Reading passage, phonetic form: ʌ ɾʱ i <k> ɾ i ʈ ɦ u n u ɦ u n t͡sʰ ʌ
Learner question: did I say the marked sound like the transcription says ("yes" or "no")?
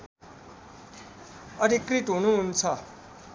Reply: yes